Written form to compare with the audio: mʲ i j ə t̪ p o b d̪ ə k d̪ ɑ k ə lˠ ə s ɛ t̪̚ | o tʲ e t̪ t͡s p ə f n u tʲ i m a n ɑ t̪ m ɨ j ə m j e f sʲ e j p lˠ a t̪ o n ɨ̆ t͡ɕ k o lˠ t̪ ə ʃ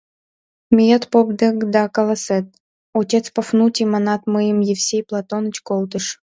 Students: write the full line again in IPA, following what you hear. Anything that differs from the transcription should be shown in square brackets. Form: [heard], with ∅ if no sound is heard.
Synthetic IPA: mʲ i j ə t̪ p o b d̪ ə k d̪ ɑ k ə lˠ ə s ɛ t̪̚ | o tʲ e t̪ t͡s p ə f n u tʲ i m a n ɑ t̪ m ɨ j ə m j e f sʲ e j p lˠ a t̪ o n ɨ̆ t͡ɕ k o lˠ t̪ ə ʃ